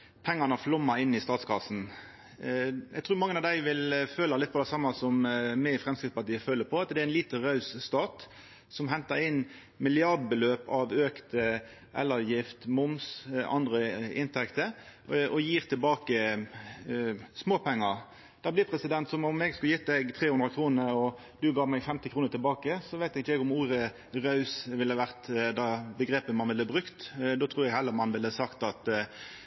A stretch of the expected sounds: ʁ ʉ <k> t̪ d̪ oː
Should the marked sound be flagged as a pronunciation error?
no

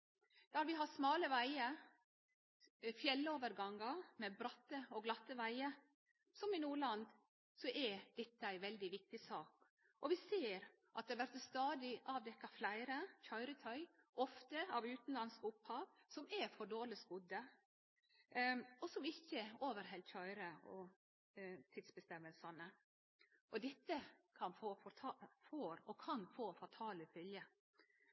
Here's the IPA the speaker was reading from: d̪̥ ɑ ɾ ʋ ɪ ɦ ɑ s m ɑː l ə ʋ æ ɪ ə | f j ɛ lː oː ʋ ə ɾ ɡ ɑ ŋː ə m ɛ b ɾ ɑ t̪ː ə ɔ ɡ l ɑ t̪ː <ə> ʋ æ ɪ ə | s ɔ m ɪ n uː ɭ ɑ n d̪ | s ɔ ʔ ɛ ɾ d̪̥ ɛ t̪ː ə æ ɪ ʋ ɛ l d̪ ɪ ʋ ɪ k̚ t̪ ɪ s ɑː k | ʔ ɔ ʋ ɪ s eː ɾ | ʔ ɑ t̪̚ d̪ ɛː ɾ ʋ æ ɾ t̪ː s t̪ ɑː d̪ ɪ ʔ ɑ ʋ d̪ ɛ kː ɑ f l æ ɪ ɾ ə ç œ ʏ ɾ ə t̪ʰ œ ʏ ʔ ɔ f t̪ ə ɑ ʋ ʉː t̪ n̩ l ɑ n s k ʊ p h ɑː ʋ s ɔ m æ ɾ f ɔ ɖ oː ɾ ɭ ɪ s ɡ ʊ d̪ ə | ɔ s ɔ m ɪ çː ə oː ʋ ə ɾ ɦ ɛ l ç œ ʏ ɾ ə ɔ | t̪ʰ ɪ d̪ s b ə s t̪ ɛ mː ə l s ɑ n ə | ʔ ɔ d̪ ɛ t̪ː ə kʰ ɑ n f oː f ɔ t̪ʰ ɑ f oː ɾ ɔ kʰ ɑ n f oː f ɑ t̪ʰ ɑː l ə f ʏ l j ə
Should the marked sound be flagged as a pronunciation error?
no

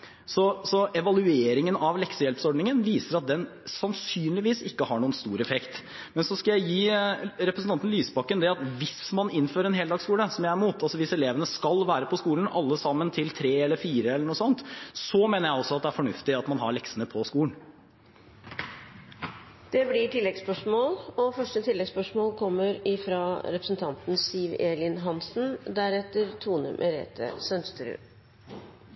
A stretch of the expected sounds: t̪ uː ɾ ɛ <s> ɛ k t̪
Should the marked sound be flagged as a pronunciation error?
yes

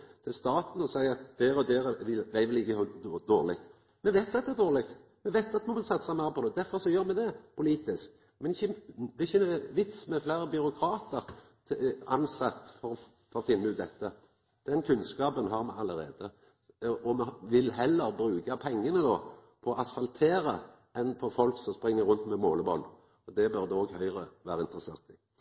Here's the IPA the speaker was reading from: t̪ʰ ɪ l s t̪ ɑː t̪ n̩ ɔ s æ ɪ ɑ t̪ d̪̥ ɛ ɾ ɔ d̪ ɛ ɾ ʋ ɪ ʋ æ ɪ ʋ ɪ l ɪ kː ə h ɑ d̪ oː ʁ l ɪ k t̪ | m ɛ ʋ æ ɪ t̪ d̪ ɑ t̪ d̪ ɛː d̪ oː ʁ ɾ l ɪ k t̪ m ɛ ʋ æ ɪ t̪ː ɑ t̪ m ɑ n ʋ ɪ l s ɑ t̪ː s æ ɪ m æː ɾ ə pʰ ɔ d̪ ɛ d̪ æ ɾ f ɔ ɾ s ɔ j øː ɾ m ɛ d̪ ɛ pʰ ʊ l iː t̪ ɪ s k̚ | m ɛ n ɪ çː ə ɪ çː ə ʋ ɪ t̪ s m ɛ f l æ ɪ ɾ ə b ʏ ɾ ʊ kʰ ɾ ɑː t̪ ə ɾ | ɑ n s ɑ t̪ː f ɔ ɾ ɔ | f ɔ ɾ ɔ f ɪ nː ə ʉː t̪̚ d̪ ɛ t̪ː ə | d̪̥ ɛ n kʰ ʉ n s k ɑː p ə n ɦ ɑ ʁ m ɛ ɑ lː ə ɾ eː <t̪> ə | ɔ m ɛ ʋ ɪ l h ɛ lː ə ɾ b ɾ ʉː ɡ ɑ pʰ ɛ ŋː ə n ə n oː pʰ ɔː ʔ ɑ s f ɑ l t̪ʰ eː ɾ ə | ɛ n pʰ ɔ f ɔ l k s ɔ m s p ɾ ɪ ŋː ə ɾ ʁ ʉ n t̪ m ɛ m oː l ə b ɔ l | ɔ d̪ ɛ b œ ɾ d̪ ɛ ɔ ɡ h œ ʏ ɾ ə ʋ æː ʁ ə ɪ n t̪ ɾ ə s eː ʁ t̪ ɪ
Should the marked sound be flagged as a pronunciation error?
yes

